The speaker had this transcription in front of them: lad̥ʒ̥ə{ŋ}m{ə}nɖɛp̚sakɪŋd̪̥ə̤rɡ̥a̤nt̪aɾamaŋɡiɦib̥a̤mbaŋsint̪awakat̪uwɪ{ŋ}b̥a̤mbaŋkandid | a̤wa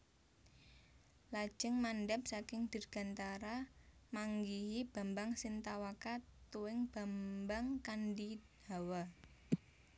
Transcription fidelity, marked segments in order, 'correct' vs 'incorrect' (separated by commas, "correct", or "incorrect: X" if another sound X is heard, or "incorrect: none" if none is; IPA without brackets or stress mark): correct, incorrect: a, correct